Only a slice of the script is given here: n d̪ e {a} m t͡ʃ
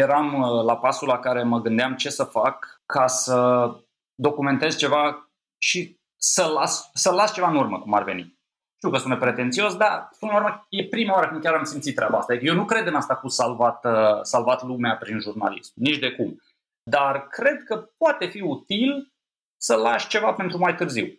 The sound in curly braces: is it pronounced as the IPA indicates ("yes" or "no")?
yes